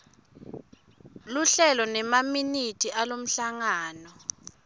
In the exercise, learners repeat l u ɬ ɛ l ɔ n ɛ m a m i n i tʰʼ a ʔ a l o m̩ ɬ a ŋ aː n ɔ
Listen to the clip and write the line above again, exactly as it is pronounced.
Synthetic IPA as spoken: l u ɬ ɛ l ɔ n ɛ m a m i n i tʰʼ i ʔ a l o m̩ ɬ a ŋ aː n ɔ